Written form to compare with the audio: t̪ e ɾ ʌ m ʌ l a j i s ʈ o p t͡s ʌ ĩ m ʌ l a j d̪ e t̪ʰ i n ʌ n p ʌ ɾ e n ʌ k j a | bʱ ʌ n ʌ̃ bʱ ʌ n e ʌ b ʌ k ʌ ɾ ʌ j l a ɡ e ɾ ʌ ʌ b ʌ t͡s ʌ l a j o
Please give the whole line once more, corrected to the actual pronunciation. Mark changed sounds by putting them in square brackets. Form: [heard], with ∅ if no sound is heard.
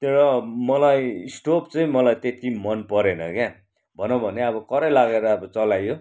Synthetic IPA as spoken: t̪ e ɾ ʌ m ʌ l a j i s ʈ o p t͡s ʌ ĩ m ʌ l a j [t̪] e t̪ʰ i [m] ʌ n p ʌ ɾ e n ʌ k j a | bʱ ʌ n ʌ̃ bʱ ʌ n e ʌ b ʌ k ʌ ɾ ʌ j l a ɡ e ɾ ʌ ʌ b ʌ t͡s ʌ l a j o